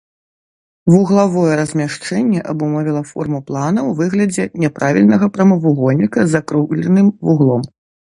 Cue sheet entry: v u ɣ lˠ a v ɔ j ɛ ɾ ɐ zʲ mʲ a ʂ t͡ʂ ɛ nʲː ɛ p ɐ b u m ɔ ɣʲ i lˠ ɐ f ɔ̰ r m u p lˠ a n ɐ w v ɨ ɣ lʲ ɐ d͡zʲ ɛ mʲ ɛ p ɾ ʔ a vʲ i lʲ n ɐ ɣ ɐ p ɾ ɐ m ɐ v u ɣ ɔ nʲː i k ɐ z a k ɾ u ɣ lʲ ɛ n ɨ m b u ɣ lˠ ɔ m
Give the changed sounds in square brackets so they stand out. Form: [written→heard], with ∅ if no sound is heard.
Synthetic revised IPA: v u ɣ lˠ a v ɔ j ɛ ɾ ɐ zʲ mʲ a ʂ t͡ʂ ɛ nʲː ɛ [p→ʔ] ɐ b u m ɔ [ɣʲ→vʲ] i lˠ ɐ f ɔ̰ r m u p lˠ a n ɐ w v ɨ ɣ lʲ ɐ d͡zʲ ɛ [mʲ→nʲ] ɛ p ɾ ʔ a vʲ i lʲ n ɐ ɣ ɐ p ɾ ɐ m ɐ v u ɣ ɔ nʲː i k ɐ z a k ɾ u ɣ lʲ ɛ n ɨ m [b→v] u ɣ lˠ ɔ m

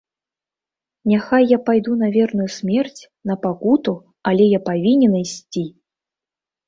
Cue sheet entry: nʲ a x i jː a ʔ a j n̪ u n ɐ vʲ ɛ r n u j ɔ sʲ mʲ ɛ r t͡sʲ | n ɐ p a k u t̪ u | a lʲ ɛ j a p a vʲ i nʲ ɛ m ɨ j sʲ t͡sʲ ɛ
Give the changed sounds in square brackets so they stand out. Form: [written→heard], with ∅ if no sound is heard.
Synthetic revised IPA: nʲ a x [i→a] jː a [ʔ→p] a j [n̪→d̪] u n ɐ vʲ ɛ r n u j [ɔ→u] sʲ mʲ ɛ r t͡sʲ | n ɐ p a k u t̪ u | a lʲ ɛ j a p a vʲ i nʲ ɛ [m→n] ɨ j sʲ t͡sʲ [ɛ→i]

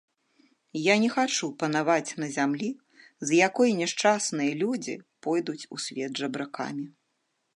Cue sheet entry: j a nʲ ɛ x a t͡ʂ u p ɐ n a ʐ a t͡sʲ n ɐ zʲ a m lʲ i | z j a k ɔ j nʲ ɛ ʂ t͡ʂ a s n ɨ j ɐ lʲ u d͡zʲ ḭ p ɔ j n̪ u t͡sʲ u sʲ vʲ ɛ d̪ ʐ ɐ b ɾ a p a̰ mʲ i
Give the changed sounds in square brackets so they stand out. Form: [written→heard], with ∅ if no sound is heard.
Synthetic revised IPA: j a nʲ ɛ x a t͡ʂ u p ɐ n a [ʐ→v] a t͡sʲ n ɐ zʲ a m lʲ i | z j a k ɔ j nʲ ɛ ʂ t͡ʂ a s n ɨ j ɐ lʲ u d͡zʲ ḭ p ɔ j [n̪→d̪] u t͡sʲ u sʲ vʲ ɛ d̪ ʐ ɐ b ɾ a [p→k] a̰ mʲ i

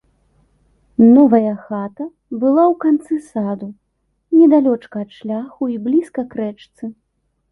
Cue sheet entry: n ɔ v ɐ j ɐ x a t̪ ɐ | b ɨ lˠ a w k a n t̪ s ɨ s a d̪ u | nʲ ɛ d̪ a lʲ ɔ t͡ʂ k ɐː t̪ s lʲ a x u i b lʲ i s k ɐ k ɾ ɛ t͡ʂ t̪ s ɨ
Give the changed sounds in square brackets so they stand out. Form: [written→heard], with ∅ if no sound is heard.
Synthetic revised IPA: n ɔ v ɐ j ɐ x a t̪ ɐ | b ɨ lˠ a w k a n t̪ s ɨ s a d̪ u | nʲ ɛ d̪ a lʲ ɔ t͡ʂ k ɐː t̪ [s→ʂ] lʲ a x u i b lʲ i s k ɐ k ɾ ɛ t͡ʂ t̪ s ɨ

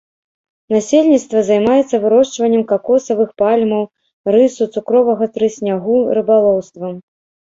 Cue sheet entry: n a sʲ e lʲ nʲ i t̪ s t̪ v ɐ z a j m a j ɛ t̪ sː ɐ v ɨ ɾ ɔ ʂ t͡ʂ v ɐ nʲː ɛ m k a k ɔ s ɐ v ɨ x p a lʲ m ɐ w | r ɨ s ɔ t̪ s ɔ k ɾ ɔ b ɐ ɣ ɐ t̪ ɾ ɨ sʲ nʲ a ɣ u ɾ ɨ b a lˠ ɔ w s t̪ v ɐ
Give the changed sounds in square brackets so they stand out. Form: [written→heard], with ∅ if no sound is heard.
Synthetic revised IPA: n a sʲ e lʲ nʲ i t̪ s t̪ v ɐ z a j m a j ɛ t̪ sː ɐ v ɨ ɾ ɔ ʂ t͡ʂ v ɐ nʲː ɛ m k a k ɔ s ɐ v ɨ x p a lʲ m ɐ w | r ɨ s [ɔ→u] t̪ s [ɔ→u] k ɾ ɔ [b→v] ɐ ɣ ɐ t̪ ɾ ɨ sʲ nʲ a ɣ u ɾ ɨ b a lˠ ɔ w s t̪ v ɐ

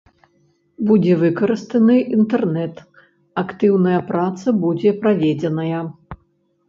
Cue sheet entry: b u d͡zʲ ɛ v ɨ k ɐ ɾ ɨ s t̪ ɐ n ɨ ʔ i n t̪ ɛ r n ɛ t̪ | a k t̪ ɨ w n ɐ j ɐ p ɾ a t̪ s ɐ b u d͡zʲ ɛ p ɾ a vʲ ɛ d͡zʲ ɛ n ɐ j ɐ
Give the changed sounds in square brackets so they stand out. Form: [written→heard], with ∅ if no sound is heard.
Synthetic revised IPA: b u d͡zʲ ɛ v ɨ k ɐ ɾ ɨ s t̪ ɐ n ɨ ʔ i n t̪ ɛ r n ɛ t̪ | a k t̪ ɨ w n ɐ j ɐ p ɾ a t̪ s ɐ b u d͡zʲ ɛ p ɾ a vʲ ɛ d͡zʲ ɛ n ɐ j ɐ

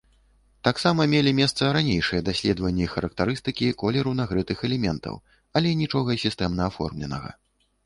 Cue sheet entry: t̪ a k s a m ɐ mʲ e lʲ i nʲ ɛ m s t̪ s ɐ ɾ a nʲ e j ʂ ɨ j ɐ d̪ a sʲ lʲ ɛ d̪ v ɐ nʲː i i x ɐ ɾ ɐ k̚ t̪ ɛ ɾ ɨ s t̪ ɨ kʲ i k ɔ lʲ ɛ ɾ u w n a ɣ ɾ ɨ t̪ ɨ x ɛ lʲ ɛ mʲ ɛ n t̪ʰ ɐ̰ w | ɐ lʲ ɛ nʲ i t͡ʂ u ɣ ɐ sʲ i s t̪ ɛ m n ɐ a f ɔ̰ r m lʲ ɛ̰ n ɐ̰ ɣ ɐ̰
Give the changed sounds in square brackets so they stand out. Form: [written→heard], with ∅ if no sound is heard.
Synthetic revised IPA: t̪ a k s a m ɐ mʲ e lʲ i [nʲ→mʲ] ɛ [m→∅] s t̪ s ɐ ɾ a nʲ e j ʂ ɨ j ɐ d̪ a sʲ lʲ ɛ d̪ v ɐ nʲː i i x ɐ ɾ ɐ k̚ t̪ [ɛ→a] ɾ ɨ s t̪ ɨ kʲ i k ɔ lʲ ɛ ɾ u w n a ɣ ɾ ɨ t̪ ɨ x ɛ lʲ ɛ mʲ ɛ n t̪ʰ ɐ̰ w | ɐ lʲ ɛ nʲ i t͡ʂ [u→ɔ] ɣ ɐ sʲ i s t̪ ɛ m n ɐ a f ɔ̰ r m lʲ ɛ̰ n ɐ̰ ɣ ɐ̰

